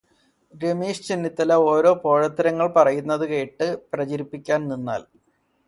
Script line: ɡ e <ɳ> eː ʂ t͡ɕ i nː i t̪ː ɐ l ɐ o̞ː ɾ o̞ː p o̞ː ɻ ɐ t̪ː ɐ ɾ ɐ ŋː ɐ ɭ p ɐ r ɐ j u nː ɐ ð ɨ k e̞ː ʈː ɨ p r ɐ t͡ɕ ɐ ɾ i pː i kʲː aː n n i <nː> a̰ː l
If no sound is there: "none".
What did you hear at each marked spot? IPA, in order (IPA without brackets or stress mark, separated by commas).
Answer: m, nː